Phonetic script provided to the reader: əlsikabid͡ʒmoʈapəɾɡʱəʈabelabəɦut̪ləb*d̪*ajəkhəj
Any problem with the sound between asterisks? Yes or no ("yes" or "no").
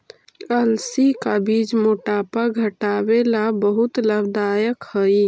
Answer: no